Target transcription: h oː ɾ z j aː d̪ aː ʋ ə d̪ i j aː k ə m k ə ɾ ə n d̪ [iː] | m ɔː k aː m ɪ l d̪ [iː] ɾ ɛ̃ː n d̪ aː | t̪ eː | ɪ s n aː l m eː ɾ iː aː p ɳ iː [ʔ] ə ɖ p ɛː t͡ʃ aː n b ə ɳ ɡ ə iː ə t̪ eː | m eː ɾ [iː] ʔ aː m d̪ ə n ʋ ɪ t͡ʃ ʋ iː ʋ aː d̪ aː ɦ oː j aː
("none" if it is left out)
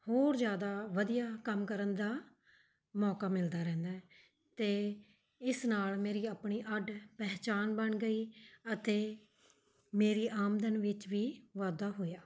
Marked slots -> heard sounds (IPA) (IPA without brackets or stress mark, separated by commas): aː, aː, ʔ, iː